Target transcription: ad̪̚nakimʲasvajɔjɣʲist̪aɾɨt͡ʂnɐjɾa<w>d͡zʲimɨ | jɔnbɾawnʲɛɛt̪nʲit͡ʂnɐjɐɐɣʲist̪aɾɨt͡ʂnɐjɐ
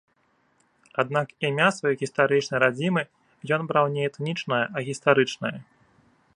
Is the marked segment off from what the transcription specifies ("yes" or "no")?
yes